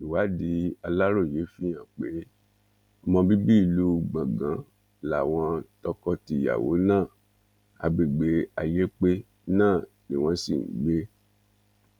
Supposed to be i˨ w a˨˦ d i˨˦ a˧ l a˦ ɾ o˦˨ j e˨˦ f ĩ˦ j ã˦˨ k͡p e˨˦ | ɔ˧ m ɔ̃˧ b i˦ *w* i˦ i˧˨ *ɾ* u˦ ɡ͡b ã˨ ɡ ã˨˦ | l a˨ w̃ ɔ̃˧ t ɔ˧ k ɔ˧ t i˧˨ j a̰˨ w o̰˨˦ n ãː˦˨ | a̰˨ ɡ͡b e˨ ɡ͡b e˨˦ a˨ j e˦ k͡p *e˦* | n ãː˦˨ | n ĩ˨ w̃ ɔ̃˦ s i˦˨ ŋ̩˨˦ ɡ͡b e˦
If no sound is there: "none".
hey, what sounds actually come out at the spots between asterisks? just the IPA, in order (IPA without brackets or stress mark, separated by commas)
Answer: b, l, e˦